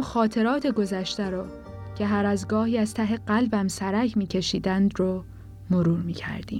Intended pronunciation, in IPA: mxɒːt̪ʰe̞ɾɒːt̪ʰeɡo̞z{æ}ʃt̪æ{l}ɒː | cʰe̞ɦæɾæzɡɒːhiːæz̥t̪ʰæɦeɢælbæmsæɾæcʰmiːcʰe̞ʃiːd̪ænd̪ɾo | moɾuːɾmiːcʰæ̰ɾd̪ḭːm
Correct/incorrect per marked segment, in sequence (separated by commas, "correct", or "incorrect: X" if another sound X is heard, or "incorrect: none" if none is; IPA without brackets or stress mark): correct, incorrect: ɾ